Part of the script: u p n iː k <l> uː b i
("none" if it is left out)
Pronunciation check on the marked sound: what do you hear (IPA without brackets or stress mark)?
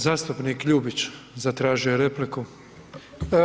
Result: ʎ